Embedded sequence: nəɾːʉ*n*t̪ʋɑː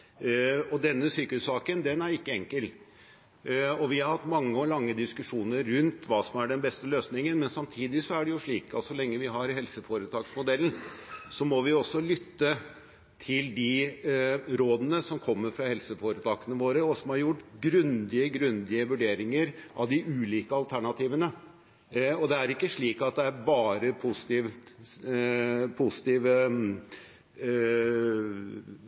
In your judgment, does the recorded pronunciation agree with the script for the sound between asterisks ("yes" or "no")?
yes